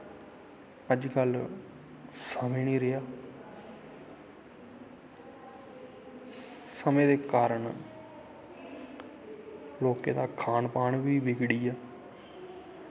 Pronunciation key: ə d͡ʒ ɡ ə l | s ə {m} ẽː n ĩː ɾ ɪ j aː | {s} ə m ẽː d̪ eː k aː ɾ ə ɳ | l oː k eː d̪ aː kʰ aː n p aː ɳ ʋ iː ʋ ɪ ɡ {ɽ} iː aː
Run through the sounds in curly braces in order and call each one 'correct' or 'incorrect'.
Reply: correct, correct, correct

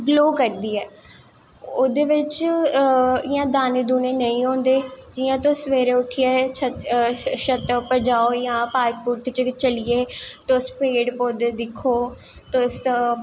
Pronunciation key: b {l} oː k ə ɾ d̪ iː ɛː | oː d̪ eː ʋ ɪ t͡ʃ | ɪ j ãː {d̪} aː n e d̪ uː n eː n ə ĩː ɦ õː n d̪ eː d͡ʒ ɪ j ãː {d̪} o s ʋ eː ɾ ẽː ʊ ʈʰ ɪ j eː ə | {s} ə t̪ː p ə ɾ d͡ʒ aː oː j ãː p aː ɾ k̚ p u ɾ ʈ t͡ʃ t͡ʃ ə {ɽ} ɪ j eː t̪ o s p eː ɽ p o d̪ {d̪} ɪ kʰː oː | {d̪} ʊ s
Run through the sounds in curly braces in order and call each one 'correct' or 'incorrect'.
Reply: correct, correct, incorrect: t̪, incorrect: ʃ, incorrect: l, correct, incorrect: t̪

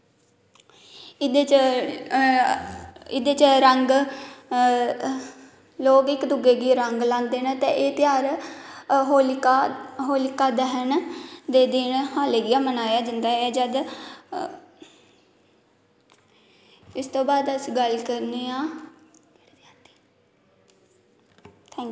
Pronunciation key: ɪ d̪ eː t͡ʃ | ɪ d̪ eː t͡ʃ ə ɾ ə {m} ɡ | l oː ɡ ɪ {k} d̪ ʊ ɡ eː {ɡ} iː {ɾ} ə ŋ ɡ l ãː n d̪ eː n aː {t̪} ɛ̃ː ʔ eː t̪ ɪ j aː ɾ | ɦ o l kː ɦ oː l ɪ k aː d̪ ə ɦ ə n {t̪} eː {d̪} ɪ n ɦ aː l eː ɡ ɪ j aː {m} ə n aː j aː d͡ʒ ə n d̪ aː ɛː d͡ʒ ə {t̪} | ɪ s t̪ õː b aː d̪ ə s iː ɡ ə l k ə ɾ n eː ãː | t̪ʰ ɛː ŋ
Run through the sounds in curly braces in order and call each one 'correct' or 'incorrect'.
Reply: incorrect: ŋ, correct, correct, correct, correct, incorrect: d̪, correct, correct, incorrect: d̪

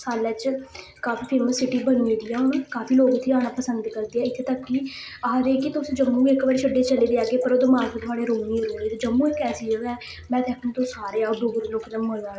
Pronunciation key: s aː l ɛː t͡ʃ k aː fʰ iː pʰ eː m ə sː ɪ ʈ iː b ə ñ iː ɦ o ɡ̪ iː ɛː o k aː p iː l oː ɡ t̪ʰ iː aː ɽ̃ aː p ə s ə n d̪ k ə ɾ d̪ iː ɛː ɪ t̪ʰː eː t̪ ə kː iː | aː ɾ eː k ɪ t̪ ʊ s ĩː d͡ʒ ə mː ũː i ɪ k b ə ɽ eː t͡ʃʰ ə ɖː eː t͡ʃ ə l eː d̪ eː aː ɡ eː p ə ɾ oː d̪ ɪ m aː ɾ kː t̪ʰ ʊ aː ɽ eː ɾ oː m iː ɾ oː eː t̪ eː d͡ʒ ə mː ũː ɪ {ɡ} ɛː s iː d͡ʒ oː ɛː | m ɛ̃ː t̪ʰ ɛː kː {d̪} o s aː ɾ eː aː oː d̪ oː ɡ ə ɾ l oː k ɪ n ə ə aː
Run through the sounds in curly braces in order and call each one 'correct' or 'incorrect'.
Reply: incorrect: k, incorrect: t̪

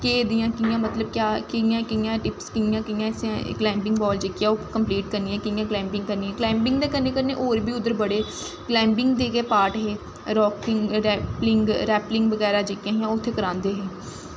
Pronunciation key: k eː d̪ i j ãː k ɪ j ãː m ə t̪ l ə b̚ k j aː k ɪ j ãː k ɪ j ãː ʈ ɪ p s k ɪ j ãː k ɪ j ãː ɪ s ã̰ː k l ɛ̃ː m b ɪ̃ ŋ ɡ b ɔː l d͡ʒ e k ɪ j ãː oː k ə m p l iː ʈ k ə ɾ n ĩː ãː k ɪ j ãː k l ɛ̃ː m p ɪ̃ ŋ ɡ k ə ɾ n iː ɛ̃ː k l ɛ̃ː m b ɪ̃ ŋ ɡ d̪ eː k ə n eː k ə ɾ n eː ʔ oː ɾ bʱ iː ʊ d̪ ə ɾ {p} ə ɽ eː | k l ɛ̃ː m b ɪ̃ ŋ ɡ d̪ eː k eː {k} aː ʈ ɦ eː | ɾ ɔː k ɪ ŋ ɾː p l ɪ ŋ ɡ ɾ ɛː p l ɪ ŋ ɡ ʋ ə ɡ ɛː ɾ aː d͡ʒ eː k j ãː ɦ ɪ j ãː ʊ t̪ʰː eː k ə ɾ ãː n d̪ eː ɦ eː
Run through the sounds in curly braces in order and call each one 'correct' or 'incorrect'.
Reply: incorrect: b, incorrect: p

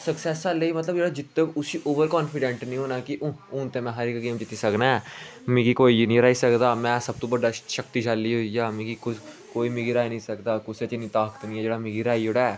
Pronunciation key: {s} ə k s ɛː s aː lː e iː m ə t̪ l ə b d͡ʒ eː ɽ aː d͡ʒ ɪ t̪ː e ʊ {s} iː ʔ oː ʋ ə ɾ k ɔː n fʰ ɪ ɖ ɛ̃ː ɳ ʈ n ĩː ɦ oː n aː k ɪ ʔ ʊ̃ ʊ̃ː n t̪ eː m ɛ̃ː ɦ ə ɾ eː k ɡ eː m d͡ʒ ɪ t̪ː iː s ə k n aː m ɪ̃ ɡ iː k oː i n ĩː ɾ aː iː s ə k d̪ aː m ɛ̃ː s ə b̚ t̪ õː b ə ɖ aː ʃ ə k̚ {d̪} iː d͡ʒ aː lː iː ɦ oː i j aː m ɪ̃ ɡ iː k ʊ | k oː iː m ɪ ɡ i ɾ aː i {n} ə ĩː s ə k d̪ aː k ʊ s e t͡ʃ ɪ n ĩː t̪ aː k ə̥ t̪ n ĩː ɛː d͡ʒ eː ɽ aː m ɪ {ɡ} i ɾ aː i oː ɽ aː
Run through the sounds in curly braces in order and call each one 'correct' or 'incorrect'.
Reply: correct, correct, incorrect: t̪, correct, correct

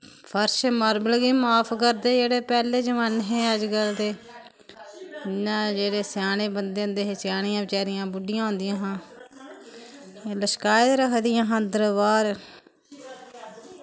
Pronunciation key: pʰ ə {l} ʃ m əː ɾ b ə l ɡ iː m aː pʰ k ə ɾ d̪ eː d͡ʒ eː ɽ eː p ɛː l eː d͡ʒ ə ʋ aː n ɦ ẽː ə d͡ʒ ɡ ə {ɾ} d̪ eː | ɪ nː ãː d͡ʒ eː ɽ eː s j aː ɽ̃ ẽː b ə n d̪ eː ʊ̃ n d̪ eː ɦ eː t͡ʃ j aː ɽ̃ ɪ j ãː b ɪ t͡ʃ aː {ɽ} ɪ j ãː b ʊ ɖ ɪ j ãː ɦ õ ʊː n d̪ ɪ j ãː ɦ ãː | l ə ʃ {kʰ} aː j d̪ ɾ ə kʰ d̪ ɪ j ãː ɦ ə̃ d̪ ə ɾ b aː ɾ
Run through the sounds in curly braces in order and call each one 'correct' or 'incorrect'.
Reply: incorrect: ɾ, incorrect: l, incorrect: ɾ, incorrect: k

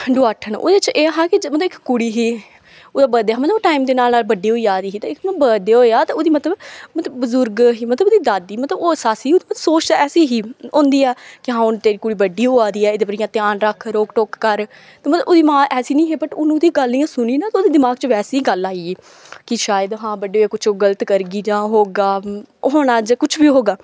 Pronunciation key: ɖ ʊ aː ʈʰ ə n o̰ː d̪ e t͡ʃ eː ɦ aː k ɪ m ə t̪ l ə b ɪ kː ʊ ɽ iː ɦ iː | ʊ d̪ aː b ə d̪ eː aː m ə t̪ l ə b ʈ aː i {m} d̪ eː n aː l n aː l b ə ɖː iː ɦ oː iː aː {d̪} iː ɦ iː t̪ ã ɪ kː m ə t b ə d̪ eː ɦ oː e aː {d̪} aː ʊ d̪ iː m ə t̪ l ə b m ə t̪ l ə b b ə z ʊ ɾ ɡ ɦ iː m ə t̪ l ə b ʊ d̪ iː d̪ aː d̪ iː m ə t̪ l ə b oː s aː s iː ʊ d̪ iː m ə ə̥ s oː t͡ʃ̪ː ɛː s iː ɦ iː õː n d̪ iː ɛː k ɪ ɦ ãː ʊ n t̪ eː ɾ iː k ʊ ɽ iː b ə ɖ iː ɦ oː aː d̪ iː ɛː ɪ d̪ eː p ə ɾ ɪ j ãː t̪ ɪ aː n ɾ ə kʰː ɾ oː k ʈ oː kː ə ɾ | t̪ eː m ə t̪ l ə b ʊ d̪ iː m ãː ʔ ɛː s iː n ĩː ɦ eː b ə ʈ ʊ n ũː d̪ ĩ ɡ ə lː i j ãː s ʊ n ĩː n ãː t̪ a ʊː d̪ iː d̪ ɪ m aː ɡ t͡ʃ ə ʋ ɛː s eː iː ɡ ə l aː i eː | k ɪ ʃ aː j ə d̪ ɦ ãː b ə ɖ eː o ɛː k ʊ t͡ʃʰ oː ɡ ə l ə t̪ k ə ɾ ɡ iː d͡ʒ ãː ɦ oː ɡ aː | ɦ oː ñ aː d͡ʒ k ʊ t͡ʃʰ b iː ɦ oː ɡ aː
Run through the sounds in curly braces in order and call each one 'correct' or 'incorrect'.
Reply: correct, correct, incorrect: t̪

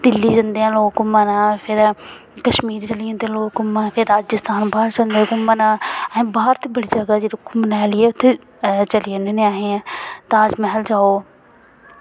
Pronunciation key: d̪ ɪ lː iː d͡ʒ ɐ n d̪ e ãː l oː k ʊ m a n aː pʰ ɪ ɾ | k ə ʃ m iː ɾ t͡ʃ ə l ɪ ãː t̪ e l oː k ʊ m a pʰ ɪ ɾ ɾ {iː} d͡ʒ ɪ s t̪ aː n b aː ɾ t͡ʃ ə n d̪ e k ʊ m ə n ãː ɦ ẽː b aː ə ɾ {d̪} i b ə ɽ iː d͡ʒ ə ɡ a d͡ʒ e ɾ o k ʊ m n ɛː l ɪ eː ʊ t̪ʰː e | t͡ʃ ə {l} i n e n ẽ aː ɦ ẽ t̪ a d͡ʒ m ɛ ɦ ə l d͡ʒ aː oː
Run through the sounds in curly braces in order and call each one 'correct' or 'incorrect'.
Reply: incorrect: aː, incorrect: t̪, correct

